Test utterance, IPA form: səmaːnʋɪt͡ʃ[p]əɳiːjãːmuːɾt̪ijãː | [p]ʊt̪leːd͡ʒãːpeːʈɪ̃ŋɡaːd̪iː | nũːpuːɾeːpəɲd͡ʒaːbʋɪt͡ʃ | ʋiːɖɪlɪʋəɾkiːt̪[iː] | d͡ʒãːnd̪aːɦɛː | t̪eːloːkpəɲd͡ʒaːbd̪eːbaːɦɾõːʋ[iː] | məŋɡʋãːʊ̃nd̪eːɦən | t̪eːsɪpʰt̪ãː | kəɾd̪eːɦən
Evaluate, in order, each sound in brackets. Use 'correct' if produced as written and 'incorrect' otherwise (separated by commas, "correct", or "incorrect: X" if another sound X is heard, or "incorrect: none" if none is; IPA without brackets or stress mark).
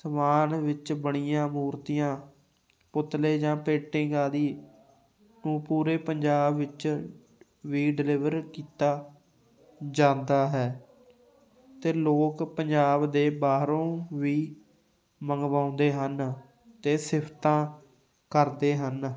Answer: incorrect: b, correct, incorrect: aː, correct